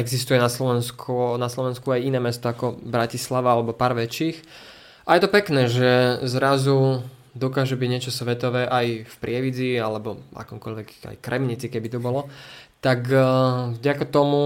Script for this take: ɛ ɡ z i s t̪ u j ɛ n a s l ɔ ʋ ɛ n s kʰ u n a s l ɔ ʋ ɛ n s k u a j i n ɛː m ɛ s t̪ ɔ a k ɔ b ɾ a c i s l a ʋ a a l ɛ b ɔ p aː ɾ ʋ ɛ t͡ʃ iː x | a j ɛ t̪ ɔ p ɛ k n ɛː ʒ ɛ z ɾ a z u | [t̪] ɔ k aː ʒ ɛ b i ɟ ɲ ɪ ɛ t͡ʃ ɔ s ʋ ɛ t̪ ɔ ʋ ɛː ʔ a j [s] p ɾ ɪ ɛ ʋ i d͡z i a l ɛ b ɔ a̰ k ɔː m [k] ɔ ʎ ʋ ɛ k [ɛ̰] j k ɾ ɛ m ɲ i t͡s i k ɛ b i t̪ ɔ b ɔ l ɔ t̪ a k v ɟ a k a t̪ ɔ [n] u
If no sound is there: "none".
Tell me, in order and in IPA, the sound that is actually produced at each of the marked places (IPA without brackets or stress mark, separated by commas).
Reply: d̪, f, k, a̰, m